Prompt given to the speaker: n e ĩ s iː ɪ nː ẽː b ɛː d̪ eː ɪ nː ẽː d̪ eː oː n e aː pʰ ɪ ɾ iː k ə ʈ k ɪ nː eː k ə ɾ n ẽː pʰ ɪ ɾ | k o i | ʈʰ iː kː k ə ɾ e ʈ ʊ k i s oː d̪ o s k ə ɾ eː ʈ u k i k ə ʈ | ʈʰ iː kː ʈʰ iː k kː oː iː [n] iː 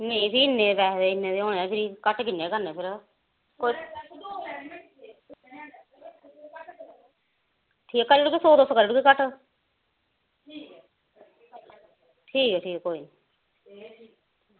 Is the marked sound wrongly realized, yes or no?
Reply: no